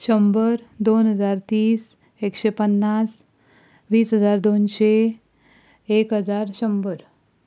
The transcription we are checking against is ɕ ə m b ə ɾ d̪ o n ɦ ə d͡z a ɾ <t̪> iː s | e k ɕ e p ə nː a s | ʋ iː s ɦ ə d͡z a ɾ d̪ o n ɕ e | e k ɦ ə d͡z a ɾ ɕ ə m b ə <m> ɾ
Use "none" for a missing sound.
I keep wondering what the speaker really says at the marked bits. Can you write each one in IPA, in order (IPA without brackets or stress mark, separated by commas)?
t̪, none